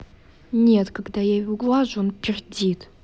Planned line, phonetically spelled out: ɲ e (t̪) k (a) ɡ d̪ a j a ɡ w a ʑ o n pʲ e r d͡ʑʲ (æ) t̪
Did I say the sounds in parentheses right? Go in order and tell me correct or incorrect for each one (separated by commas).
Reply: correct, correct, incorrect